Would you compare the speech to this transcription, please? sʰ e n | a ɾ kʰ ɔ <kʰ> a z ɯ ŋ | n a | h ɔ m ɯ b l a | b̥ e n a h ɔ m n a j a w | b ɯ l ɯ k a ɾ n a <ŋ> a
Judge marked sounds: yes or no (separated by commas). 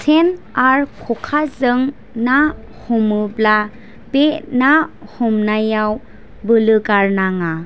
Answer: yes, yes